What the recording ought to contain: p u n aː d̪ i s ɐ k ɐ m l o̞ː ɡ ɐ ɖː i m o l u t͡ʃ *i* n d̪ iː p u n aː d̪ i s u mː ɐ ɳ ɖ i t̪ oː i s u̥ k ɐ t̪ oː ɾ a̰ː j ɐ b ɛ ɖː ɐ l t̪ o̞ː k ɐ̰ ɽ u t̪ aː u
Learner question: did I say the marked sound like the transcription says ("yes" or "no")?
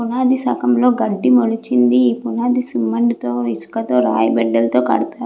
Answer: yes